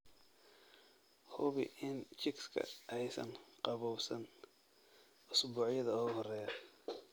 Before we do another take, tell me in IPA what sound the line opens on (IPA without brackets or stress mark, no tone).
h